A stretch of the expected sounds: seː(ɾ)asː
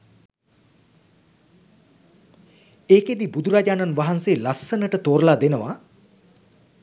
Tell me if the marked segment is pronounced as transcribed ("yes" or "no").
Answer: no